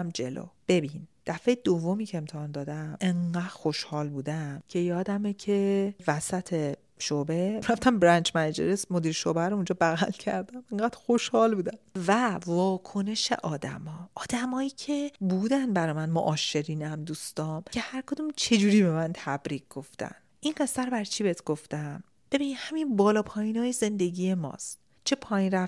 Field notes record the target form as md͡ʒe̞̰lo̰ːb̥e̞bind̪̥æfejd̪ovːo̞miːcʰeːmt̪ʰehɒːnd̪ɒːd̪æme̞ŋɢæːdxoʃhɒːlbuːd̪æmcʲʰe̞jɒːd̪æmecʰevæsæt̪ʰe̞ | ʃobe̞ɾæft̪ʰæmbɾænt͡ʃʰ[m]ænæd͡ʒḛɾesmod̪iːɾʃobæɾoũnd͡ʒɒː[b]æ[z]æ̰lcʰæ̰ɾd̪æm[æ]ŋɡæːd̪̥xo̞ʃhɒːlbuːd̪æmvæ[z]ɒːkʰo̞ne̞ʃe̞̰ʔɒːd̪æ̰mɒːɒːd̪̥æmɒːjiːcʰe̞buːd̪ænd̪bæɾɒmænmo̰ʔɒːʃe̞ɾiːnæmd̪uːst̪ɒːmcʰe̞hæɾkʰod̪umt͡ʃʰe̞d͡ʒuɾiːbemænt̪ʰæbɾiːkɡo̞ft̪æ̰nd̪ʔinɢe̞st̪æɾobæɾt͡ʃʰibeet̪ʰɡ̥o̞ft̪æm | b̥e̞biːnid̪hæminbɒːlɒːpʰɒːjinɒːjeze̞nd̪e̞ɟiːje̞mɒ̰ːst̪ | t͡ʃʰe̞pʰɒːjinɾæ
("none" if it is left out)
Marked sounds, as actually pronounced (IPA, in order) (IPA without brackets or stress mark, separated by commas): m, b, ɣ, e, v